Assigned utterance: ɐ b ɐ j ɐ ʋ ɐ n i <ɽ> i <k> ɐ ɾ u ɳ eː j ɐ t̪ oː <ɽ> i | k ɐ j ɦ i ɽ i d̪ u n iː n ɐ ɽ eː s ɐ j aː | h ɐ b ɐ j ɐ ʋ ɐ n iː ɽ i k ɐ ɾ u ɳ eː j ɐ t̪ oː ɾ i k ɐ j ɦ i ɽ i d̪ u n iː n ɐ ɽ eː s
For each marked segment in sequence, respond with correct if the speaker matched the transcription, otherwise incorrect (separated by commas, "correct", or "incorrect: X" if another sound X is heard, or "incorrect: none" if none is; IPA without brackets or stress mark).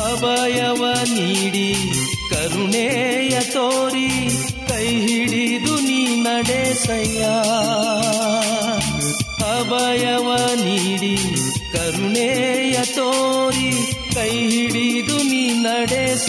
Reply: correct, correct, incorrect: ɾ